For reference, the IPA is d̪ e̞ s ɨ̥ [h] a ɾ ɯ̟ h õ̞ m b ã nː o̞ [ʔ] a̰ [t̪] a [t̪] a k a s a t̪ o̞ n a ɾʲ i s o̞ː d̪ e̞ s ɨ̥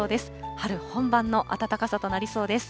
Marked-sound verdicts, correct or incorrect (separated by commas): correct, correct, correct, correct